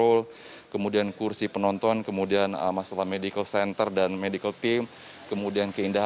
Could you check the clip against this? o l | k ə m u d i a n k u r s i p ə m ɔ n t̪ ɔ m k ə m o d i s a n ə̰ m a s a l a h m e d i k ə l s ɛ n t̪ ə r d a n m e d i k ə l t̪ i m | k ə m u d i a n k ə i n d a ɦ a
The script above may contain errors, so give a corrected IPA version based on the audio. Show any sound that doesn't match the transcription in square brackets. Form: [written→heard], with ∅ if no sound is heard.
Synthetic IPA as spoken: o l | k ə m u d i a n k u r s i p ə [m→n] ɔ n t̪ ɔ [m→n] k ə m [o→u] d i [s→∅] a n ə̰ m a s a l a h m e d i k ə l s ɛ n t̪ ə r d a n m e d i k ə l t̪ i m | k ə m u d i a n k ə i n d a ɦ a